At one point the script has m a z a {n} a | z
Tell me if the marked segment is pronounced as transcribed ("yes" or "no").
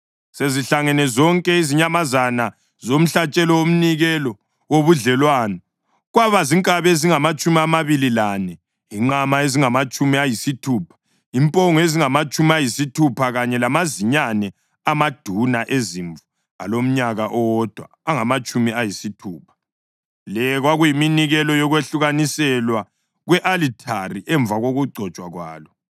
yes